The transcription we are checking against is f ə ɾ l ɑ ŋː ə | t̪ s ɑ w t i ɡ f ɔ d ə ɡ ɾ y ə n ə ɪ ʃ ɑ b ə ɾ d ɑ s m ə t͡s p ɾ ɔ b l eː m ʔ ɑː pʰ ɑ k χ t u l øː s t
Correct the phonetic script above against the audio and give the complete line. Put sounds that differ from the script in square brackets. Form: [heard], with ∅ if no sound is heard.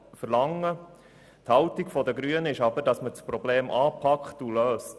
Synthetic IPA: f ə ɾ l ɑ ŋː ə | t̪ [h] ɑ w t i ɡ f ɔ d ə ɡ ɾ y ə n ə ɪ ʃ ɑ b ə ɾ d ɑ s m ə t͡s p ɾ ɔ b l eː m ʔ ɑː pʰ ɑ k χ t u l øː s t